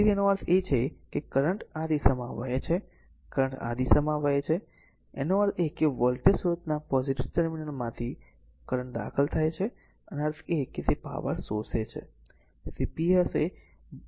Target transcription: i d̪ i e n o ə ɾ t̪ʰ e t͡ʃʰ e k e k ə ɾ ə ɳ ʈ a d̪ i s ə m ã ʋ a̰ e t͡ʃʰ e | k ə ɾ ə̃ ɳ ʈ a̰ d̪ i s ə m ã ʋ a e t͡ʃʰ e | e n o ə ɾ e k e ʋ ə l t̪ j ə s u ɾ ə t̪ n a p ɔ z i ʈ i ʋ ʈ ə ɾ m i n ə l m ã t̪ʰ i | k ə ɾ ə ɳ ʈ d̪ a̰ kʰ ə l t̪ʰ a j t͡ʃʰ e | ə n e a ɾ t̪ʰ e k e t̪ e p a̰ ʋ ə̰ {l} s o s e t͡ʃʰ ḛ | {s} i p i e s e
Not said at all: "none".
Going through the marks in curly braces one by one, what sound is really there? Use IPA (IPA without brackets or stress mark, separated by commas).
ɾ, s